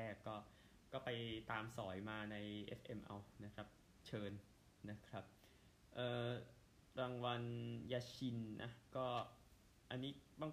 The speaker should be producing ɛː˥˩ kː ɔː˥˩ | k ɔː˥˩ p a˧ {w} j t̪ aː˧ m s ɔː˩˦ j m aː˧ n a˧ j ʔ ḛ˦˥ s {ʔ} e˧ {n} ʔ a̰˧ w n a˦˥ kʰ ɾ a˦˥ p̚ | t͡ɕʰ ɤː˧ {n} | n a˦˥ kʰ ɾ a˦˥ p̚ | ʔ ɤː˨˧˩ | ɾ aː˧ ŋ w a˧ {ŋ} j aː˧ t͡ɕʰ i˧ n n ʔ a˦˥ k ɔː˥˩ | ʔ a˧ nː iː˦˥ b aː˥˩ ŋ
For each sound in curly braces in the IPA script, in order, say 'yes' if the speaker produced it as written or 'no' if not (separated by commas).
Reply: no, yes, no, yes, no